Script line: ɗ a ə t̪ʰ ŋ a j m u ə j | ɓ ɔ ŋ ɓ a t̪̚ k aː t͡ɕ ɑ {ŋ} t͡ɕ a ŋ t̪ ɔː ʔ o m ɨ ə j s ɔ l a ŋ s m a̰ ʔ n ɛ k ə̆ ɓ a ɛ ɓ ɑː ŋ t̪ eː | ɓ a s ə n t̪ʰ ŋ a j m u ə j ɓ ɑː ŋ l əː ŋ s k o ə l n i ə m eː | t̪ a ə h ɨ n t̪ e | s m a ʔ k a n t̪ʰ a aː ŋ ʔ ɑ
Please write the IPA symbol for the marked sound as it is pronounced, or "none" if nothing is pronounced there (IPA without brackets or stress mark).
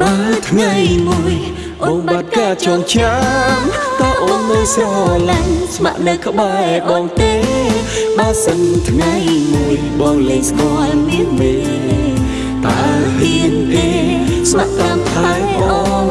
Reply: ŋ